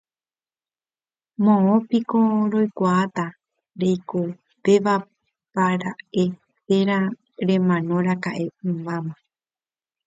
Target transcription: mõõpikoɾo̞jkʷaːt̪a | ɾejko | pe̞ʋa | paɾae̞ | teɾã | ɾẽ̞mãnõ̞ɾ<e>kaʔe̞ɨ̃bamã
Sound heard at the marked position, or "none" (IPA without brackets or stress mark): a